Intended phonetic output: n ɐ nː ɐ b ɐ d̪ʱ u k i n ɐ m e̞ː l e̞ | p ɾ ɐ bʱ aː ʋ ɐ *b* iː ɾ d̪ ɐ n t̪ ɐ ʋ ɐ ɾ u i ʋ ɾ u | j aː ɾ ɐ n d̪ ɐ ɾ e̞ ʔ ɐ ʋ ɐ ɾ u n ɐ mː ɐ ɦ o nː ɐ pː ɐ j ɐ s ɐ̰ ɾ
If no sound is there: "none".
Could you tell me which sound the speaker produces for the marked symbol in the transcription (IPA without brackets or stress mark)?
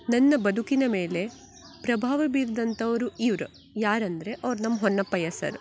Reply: b